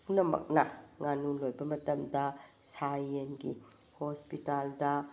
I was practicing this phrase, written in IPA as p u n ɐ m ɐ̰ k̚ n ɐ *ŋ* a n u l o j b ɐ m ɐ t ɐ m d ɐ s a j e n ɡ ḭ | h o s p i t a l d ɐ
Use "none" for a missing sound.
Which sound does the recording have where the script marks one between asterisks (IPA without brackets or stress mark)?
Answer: ŋ